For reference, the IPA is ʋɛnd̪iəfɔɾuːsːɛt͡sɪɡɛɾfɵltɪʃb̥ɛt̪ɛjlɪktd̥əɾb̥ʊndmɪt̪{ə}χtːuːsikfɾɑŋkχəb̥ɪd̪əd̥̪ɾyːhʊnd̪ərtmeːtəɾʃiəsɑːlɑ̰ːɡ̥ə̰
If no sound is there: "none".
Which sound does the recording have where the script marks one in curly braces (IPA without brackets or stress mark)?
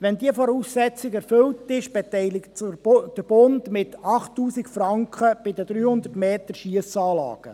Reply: ɑ